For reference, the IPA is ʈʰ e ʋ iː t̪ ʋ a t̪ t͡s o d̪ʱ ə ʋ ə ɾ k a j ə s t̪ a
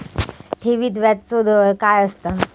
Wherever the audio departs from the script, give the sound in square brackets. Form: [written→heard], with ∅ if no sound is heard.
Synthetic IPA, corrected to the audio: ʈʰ e ʋ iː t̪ ʋ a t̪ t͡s o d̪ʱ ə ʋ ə ɾ k a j ə s t̪ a